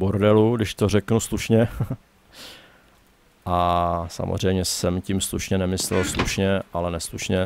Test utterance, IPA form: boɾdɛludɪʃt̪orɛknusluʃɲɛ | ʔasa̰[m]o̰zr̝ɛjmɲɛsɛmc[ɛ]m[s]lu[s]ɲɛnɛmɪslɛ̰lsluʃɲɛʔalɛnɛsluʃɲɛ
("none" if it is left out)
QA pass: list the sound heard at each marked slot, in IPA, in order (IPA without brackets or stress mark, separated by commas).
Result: m, i, s, ʃ